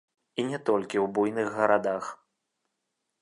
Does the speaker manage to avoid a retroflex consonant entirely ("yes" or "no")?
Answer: yes